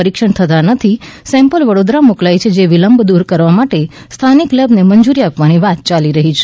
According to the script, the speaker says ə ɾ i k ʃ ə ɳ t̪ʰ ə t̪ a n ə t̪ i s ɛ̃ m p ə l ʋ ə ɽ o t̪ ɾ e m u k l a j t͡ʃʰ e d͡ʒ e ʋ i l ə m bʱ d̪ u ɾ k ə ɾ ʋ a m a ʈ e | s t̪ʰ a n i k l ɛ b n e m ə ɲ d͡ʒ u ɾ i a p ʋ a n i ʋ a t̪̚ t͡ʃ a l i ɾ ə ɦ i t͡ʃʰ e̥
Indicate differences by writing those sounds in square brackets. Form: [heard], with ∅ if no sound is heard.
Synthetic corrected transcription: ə ɾ i k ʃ ə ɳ t̪ʰ ə t̪ a n ə [t̪ʰ] i s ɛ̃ m p ə l ʋ ə ɽ o [d̪] ɾ [a] m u k l a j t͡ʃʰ e d͡ʒ e ʋ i l ə m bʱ d̪ u ɾ k ə ɾ ʋ a m a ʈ e | s t̪ʰ a n i k l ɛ b n e m ə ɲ d͡ʒ u ɾ i a p ʋ a n i ʋ a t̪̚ t͡ʃ a l i ɾ ə ɦ i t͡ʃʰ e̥